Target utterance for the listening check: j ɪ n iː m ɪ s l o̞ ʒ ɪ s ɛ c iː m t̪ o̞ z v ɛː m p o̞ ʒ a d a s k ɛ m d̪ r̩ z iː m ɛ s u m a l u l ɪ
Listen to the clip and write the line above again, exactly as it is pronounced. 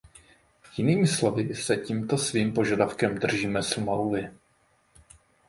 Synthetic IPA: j ɪ n iː m ɪ s l o̞ v ɪ s ɛ c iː m t̪ o̞ s v iː m p o̞ ʒ a d a f k ɛ m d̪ r̩ ʒ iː m ɛ s u m a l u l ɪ